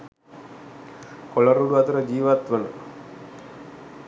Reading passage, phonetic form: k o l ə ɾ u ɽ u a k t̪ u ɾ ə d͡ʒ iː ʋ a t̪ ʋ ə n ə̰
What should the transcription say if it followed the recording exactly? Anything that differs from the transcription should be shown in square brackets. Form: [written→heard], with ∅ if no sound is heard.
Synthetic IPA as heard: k o l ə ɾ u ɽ u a [k→∅] t̪ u ɾ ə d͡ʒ iː ʋ a t̪ ʋ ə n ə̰